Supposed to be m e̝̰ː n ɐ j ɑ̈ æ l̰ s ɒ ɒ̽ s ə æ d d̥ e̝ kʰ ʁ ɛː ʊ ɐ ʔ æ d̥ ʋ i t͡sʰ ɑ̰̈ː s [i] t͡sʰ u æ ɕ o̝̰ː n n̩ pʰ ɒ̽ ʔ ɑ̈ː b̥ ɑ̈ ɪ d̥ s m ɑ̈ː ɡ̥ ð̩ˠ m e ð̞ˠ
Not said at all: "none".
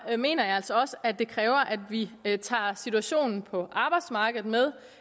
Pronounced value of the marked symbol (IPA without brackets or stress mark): i